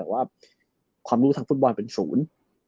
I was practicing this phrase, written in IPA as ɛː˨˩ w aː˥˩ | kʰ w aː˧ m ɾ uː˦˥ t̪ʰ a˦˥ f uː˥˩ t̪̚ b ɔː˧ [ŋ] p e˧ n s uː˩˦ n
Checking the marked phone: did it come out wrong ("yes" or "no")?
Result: yes